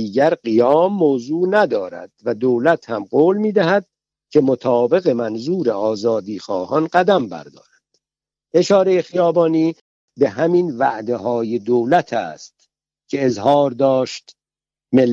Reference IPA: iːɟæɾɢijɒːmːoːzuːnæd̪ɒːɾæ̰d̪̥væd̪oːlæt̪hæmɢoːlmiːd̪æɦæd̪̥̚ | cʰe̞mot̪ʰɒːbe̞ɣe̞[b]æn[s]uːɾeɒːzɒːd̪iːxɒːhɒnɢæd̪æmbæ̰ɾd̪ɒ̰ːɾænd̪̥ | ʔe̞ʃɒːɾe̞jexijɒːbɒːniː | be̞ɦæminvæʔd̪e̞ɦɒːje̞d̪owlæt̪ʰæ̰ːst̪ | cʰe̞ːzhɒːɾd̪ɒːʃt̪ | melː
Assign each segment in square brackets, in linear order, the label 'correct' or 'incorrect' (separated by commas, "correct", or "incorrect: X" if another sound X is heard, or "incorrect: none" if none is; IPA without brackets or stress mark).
incorrect: m, incorrect: z